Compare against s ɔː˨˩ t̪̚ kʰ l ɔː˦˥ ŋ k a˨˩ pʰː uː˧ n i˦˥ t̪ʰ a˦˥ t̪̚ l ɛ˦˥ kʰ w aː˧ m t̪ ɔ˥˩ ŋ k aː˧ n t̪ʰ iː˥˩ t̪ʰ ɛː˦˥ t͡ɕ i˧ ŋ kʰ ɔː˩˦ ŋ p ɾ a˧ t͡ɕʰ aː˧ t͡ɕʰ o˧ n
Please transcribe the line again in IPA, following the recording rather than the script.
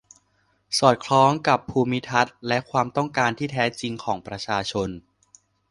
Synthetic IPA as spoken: s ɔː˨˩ t̪̚ kʰ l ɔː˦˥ ŋ k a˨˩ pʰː uː˧ m i˦˥ t̪ʰ a˦˥ t̪̚ l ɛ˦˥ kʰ w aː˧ m t̪ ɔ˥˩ ŋ k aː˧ n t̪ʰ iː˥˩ t̪ʰ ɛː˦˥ t͡ɕ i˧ ŋ kʰ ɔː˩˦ ŋ p ɾ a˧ t͡ɕʰ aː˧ t͡ɕʰ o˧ n